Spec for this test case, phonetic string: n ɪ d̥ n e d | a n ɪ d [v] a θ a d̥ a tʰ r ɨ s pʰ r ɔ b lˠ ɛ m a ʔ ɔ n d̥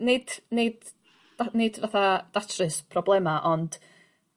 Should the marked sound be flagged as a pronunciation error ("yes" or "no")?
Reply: no